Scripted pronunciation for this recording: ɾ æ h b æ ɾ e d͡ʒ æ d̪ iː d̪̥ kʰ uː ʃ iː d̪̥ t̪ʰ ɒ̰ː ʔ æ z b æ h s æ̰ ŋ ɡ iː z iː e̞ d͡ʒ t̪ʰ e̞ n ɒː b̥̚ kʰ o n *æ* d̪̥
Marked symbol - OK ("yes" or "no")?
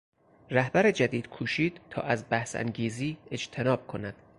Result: yes